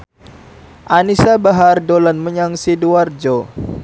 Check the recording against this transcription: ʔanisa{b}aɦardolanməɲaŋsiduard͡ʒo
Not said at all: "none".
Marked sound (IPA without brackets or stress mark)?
b